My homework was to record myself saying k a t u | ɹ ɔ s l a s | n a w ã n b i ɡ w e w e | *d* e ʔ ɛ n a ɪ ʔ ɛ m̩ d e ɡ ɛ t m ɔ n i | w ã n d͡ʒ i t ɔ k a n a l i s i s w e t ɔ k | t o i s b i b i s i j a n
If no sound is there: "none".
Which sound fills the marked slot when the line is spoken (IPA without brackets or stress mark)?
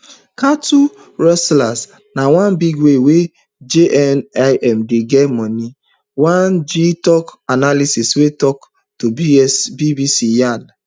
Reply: d͡ʒ